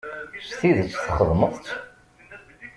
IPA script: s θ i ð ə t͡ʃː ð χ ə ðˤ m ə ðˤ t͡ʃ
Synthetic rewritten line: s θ i ð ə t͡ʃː θ χ ə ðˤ m ə ðˤ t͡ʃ